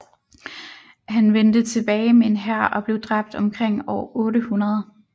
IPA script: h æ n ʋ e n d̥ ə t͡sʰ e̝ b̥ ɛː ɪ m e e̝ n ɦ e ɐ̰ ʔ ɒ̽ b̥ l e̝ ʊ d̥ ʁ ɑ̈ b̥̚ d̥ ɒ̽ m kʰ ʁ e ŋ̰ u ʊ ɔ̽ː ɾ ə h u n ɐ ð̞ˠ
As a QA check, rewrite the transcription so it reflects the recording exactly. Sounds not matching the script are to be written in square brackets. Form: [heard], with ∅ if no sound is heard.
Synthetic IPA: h æ n ʋ e n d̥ ə t͡sʰ e̝ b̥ ɛː ɪ m e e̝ n ɦ [æ] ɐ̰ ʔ ɒ̽ b̥ l e̝ ʊ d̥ ʁ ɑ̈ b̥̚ d̥ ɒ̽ m kʰ ʁ e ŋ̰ [ɒ] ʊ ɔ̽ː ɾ ə h u n ɐ ð̞ˠ